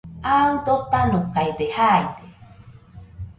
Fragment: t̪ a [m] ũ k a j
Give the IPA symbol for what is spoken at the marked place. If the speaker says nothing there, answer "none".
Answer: n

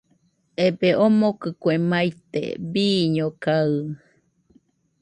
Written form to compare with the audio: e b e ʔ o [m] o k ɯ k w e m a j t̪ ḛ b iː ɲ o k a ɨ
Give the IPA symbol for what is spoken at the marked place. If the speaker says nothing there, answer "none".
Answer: m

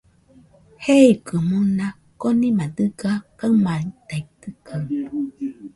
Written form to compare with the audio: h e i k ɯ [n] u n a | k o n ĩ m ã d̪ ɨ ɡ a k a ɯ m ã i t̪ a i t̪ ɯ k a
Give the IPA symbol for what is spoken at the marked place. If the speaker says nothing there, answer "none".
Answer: m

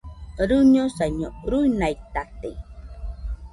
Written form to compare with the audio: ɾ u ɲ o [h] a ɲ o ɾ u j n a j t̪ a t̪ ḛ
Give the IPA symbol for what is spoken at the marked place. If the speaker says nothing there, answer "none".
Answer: s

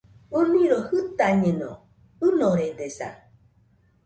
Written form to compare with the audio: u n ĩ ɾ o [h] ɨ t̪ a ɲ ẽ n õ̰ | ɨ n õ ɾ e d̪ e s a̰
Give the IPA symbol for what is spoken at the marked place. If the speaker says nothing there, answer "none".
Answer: h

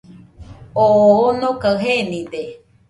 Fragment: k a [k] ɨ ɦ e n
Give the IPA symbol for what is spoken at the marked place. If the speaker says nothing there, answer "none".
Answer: none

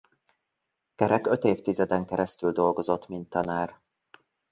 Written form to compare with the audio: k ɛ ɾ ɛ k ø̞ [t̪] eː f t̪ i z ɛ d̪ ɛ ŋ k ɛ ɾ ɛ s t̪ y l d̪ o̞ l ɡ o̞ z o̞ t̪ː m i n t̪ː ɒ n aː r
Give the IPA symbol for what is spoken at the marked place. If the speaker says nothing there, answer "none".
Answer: t̪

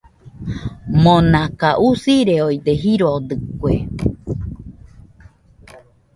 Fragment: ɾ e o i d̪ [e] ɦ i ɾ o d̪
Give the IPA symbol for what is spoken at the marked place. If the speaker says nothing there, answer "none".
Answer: e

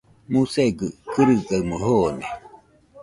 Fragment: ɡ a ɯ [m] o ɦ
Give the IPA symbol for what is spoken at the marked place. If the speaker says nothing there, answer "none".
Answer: m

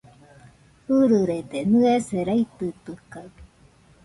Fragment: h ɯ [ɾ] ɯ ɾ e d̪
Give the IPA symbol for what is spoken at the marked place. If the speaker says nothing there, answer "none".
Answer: ɾ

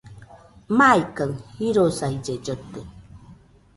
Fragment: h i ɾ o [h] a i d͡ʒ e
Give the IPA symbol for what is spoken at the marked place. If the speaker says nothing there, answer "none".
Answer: s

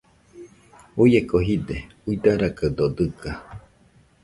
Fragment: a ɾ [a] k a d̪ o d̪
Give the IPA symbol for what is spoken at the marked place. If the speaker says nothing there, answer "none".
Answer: a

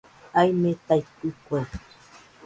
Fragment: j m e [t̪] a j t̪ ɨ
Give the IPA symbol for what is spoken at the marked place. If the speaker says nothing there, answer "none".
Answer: t̪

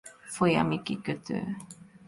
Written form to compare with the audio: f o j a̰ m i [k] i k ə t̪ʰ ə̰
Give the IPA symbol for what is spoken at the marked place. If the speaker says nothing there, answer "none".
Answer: k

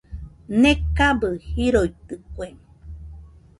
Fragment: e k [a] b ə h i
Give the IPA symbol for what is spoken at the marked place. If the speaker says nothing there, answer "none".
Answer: a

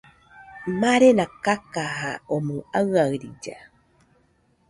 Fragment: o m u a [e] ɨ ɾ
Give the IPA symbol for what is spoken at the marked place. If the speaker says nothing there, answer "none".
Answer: a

